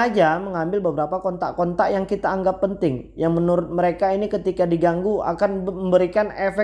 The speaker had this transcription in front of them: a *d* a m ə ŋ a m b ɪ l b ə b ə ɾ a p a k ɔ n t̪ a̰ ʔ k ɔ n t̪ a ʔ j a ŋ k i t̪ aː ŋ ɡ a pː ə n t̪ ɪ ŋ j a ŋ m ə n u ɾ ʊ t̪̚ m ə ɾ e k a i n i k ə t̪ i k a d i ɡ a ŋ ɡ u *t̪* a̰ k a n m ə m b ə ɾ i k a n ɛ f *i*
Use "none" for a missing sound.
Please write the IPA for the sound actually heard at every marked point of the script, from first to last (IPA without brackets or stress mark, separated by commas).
d͡ʒ, none, ɛ